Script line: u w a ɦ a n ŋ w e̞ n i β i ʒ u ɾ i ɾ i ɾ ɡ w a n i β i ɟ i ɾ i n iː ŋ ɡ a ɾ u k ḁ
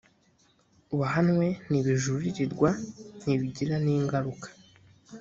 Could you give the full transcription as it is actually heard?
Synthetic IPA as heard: u β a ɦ a n ŋ w e̞ n i β i ʒ u ɾ i ɾ i ɾ ɡ w a n i β i ɟ i ɾ a n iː ŋ ɡ a ɾ u k ḁ